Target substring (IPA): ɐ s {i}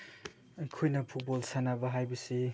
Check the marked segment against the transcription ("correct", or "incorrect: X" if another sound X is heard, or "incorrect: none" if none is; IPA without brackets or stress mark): correct